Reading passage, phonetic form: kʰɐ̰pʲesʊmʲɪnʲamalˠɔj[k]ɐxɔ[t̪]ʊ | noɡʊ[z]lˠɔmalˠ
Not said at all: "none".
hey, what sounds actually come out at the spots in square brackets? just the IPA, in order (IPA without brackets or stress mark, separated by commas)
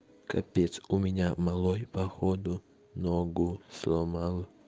p, d̪, s